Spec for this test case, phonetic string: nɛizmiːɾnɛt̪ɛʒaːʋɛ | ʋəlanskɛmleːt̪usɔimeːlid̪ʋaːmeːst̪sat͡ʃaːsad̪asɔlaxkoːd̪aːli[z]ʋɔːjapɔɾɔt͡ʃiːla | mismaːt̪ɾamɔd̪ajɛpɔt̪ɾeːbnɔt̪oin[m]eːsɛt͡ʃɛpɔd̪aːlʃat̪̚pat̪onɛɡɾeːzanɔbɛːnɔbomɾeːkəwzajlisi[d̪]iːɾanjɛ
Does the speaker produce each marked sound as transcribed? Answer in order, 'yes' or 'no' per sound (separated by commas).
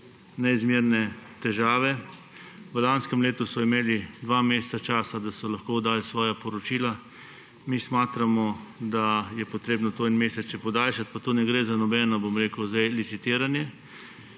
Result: no, yes, no